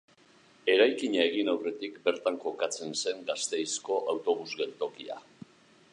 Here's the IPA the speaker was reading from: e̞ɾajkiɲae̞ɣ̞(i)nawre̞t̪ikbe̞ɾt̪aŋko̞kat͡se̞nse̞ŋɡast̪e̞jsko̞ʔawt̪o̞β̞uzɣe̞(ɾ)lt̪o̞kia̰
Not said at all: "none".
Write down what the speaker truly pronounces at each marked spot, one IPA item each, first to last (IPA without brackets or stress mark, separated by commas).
i, none